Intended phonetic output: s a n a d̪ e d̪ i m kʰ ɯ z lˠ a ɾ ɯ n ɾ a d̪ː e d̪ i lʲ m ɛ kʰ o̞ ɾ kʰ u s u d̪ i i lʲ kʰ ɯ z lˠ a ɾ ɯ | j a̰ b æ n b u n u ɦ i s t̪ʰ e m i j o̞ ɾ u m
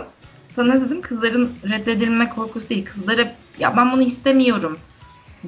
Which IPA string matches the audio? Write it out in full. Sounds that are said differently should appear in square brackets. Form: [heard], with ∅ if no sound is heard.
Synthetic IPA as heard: s a n a d̪ e d̪ i m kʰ ɯ z lˠ a ɾ ɯ n ɾ [ɛ] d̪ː e d̪ i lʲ m ɛ kʰ o̞ ɾ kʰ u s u d̪ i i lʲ kʰ ɯ z lˠ a ɾ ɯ | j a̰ b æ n b u n u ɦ i s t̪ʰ e m i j o̞ ɾ u m